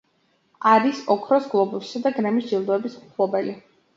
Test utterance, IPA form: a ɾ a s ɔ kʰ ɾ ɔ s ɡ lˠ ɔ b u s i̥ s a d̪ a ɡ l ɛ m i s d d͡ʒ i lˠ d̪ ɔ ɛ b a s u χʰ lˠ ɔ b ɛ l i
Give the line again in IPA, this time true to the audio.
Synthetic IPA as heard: a ɾ i s ɔ kʰ ɾ ɔ s ɡ lˠ ɔ b u s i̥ s a d̪ a ɡ ɾ ɛ m i s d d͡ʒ i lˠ d̪ ɔ ɛ b i s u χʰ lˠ ɔ b ɛ l i